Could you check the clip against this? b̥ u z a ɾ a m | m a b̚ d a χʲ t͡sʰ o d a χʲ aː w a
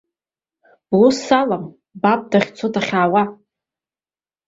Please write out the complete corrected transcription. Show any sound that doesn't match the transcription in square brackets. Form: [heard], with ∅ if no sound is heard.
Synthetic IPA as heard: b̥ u [s] a [l] a m | [b] a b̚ d a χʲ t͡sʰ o d a χʲ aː w a